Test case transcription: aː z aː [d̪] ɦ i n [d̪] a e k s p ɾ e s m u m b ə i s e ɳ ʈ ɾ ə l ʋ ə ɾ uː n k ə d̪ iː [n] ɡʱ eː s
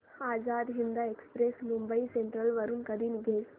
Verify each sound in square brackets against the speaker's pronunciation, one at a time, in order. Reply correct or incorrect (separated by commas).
correct, correct, correct